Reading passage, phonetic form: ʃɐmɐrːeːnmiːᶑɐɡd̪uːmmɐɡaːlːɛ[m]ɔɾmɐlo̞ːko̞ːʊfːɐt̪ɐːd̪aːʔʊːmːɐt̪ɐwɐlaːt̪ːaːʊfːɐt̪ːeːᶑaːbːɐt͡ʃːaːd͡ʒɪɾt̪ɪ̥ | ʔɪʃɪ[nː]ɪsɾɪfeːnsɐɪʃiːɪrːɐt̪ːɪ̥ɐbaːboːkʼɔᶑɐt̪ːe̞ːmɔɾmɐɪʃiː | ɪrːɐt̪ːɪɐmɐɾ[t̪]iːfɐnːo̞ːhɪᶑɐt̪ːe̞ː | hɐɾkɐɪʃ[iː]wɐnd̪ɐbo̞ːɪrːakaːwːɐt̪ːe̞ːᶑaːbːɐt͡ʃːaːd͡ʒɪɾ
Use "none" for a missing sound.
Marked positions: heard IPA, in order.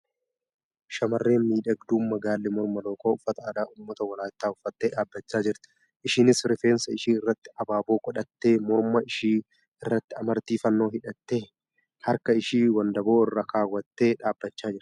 m, n, t̪, iː

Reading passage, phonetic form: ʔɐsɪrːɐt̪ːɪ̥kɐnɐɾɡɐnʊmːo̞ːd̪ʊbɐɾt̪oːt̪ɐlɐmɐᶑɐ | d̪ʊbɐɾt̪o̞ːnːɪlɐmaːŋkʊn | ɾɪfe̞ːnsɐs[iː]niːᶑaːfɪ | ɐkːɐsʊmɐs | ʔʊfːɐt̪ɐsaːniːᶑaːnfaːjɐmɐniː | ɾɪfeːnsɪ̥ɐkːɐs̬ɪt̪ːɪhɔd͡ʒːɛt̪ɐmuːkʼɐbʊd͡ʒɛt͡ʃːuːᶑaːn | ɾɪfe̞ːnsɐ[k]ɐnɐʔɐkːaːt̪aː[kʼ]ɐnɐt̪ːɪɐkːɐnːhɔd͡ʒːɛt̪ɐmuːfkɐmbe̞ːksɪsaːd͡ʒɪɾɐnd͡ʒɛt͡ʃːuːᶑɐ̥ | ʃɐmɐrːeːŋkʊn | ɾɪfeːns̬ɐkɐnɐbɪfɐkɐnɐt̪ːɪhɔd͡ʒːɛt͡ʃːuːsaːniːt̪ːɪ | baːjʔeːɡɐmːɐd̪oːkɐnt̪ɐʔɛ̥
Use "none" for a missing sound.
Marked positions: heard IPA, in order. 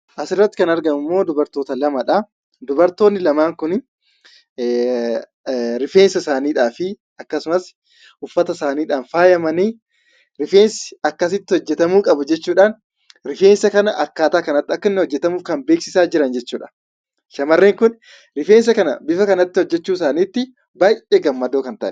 aː, k, k

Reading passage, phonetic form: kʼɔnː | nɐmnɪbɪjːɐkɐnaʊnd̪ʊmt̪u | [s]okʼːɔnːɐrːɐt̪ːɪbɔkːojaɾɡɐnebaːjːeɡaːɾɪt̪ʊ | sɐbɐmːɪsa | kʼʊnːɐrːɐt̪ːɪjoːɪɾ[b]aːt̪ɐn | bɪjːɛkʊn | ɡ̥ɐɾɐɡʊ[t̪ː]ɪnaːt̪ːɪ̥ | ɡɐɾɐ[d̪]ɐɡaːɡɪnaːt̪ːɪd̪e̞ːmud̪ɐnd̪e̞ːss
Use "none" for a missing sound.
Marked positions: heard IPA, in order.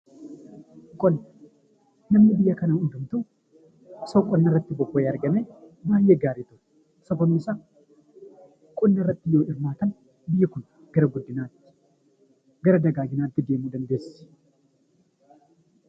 s, m, d̪ː, d̪

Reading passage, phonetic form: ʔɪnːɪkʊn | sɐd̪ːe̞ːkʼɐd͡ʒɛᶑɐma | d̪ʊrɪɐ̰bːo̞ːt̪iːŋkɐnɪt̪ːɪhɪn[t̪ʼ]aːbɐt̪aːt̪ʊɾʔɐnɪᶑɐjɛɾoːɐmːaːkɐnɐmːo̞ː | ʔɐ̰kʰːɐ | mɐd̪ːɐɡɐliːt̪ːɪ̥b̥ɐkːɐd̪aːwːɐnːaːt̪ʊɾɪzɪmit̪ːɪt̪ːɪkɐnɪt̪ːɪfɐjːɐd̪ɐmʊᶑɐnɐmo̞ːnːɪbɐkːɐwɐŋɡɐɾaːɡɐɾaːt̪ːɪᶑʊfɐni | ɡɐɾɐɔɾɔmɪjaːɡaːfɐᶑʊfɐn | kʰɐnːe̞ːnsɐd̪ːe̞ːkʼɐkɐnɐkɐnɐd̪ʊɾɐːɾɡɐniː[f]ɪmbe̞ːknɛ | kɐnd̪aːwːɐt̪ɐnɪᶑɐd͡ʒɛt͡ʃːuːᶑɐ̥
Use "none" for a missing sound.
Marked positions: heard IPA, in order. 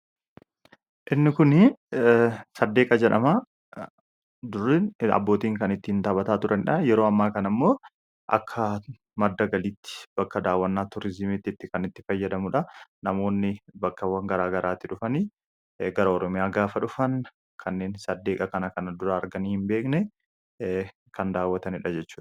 t̪, h

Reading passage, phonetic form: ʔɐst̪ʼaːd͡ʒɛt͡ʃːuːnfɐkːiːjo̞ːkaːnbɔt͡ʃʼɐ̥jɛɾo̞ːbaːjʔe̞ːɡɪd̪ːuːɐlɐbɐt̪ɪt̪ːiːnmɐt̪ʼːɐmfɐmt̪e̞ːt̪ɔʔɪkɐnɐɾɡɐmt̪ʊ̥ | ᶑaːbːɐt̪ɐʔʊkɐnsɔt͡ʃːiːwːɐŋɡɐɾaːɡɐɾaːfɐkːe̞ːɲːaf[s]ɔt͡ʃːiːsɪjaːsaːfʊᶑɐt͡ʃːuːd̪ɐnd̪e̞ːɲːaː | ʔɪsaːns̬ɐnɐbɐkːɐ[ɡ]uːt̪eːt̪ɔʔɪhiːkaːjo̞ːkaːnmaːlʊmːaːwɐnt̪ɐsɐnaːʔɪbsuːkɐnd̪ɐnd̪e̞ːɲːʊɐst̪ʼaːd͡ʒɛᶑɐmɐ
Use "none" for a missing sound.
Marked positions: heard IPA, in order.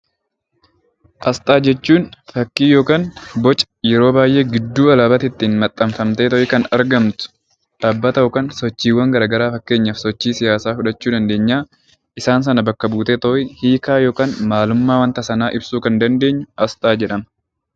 s, b

